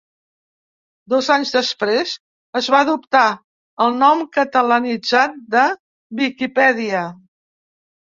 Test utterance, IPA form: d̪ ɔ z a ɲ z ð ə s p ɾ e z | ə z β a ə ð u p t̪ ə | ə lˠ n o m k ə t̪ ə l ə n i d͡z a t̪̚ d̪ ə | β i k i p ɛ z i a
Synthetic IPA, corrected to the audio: d̪ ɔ z a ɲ z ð ə s p ɾ e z | ə z β a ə ð u p t̪ a | ə lˠ n ɔ m k ə t̪ ə l ə n i d͡z a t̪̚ d̪ ə | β i k i p ɛ ð i ə